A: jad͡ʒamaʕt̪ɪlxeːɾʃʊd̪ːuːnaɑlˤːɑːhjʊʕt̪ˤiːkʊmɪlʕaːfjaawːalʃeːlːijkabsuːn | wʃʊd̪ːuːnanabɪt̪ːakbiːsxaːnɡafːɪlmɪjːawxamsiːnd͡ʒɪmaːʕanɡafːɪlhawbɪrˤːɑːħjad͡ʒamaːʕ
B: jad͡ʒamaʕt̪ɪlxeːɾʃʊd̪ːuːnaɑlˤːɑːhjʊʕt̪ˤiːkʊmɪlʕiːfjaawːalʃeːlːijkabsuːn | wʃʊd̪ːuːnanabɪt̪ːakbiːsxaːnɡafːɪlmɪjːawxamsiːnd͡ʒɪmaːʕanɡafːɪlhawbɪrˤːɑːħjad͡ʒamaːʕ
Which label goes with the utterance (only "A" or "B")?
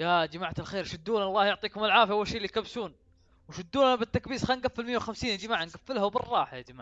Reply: A